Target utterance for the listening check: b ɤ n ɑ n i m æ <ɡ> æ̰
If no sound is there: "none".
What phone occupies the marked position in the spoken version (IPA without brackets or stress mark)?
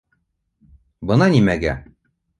ɡ